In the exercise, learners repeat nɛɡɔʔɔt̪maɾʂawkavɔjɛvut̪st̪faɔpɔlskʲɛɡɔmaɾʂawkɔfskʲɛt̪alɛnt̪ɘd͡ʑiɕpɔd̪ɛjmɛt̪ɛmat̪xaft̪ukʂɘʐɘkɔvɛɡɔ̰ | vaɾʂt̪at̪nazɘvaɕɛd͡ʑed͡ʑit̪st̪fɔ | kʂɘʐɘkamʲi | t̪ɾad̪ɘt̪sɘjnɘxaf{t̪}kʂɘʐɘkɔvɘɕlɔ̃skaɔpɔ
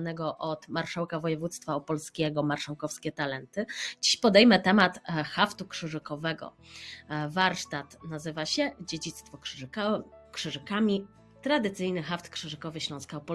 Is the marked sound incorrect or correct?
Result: correct